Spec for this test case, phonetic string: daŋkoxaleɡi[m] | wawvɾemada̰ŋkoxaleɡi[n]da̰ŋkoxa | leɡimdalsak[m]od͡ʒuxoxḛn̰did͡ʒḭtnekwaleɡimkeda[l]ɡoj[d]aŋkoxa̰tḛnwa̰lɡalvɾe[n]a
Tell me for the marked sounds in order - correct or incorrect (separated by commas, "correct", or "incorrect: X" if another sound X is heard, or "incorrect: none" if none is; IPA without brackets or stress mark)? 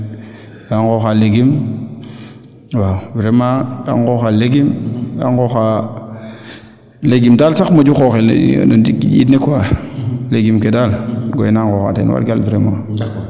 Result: correct, incorrect: m, correct, correct, incorrect: n, incorrect: m